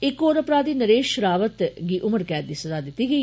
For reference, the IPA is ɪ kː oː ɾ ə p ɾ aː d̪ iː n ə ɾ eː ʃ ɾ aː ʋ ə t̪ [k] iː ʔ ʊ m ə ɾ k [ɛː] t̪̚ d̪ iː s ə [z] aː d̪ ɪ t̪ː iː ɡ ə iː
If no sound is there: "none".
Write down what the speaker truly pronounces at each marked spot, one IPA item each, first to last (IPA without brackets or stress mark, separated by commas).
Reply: ɡ, ɛː, z